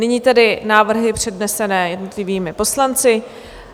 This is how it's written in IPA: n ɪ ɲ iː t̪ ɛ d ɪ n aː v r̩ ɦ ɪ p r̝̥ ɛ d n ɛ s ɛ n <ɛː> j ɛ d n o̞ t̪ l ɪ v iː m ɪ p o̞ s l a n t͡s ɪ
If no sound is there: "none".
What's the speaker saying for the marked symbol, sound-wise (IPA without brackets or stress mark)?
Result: ɛː